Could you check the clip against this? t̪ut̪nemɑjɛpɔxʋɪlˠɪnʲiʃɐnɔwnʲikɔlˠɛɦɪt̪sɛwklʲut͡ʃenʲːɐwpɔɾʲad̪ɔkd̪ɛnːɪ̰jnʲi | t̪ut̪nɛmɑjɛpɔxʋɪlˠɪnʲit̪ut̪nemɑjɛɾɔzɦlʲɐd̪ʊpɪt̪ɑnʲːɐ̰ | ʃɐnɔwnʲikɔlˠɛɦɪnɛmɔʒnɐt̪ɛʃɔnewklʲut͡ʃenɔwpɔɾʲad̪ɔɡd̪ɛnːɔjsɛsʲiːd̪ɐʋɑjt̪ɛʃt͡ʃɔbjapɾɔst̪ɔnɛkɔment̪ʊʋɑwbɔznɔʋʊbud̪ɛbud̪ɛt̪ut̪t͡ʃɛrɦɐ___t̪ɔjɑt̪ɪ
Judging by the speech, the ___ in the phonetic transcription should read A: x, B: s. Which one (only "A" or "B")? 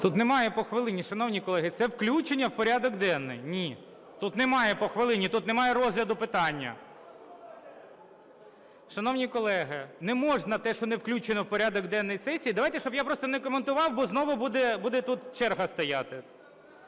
B